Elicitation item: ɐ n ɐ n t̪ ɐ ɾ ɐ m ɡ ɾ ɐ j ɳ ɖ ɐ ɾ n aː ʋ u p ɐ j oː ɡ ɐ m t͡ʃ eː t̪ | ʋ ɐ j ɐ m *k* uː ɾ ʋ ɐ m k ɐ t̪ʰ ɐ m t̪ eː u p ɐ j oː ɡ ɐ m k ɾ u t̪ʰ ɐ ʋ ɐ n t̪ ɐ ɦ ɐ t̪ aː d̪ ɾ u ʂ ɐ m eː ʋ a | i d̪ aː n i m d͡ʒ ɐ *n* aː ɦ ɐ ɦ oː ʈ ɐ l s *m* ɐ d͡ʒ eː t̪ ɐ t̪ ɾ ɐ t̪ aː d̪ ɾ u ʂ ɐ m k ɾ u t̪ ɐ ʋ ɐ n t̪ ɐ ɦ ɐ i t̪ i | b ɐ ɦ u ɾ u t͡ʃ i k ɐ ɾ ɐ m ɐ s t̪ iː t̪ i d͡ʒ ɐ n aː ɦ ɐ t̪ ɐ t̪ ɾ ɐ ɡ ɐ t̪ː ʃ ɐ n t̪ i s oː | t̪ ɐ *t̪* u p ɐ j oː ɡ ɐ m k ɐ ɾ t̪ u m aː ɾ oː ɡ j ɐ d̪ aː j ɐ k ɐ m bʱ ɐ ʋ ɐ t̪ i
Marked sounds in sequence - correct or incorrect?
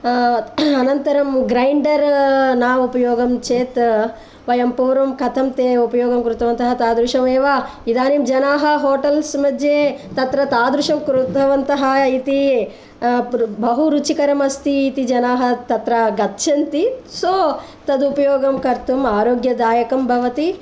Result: incorrect, correct, correct, incorrect

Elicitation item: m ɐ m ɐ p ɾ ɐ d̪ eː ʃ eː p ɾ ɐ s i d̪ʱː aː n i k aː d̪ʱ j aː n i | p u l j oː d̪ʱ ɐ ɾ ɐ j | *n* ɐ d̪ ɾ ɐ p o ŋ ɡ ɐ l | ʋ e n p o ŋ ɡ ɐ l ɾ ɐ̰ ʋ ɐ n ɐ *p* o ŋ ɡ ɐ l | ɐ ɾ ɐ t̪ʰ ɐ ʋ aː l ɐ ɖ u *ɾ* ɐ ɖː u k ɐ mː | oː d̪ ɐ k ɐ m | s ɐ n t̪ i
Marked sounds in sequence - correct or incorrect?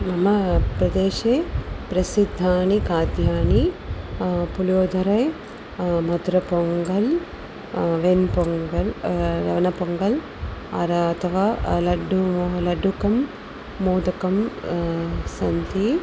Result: incorrect, correct, incorrect

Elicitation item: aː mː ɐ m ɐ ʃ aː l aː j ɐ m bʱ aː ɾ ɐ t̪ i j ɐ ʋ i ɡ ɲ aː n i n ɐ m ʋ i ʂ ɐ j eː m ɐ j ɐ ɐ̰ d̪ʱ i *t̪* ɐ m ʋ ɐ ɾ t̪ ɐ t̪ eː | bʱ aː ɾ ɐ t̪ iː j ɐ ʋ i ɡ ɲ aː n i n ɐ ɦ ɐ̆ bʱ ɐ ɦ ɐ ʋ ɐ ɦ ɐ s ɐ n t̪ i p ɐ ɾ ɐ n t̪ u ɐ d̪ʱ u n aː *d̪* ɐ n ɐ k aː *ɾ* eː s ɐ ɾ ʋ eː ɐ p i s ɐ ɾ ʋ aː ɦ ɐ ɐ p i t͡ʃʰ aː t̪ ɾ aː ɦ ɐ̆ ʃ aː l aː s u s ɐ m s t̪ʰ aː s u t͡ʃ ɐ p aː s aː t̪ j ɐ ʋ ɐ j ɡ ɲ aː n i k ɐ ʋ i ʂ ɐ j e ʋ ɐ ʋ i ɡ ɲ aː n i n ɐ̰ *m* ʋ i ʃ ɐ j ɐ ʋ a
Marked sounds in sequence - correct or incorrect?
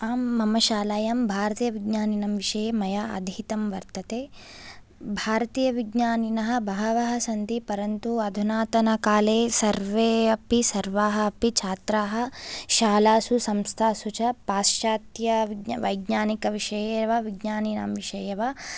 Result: correct, incorrect, incorrect, correct

